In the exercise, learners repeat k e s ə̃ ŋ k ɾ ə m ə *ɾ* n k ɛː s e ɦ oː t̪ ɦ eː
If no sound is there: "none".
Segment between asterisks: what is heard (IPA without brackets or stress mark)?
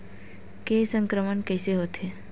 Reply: none